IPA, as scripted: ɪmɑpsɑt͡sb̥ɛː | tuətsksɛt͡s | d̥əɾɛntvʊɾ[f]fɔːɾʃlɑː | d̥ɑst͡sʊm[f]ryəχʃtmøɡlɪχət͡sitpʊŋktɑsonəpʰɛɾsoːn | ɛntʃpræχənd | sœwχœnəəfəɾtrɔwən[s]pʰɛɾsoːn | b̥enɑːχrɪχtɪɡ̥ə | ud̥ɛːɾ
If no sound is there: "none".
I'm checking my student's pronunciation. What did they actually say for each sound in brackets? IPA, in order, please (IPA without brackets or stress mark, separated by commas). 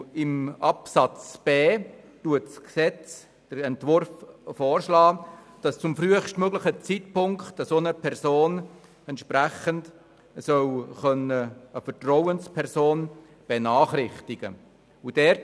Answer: f, f, s